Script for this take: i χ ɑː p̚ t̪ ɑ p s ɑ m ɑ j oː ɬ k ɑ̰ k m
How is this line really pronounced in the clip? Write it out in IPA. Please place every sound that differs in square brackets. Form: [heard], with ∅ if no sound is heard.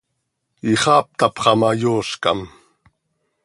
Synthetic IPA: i χ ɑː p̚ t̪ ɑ p [χ] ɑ m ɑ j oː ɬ k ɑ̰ [∅] m